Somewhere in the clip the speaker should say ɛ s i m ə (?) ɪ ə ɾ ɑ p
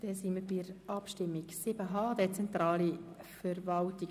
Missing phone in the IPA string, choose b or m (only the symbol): b